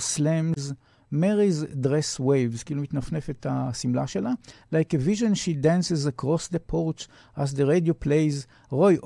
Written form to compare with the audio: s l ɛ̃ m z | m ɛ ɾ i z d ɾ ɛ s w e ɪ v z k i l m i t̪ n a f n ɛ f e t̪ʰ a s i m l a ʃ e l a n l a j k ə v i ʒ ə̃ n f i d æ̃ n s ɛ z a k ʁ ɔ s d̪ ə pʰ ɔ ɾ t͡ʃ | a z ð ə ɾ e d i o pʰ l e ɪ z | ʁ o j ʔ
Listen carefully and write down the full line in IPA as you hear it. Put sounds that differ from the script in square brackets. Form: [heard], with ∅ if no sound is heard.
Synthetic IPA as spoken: s l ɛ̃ m z | m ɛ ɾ i z d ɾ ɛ s w e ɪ v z k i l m i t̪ n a f n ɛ f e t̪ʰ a s i m l a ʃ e l a [∅] l a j k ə v i ʒ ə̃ n [ʃ] i d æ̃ n s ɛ z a k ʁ ɔ s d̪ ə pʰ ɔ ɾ t͡ʃ | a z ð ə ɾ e d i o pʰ l e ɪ z | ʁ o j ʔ